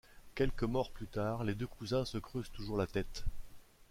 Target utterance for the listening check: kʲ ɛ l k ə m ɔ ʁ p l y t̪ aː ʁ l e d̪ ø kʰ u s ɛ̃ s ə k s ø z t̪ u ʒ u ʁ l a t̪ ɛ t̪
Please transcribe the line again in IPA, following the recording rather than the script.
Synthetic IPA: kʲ ɛ l k ə m ɔ ʁ p l y t̪ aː ʁ l e d̪ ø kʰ u z ɛ̃ s ə k χ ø z t̪ u ʒ u ʁ l a t̪ ɛ t̪